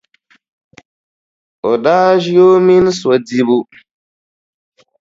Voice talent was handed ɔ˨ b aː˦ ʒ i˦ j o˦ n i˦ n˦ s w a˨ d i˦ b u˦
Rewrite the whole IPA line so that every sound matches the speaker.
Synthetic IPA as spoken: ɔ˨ d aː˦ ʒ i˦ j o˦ m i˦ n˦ s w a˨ d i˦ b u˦